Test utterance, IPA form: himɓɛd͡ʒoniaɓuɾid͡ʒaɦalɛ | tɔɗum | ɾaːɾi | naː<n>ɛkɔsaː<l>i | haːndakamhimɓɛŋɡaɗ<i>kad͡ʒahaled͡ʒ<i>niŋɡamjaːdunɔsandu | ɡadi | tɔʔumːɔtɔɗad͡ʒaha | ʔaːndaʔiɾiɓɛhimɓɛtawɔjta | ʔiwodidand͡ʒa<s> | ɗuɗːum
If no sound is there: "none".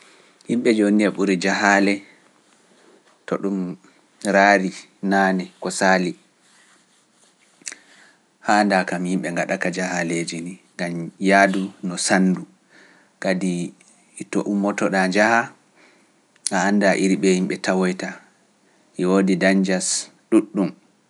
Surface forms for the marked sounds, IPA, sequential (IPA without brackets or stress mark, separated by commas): n, l, a, i, s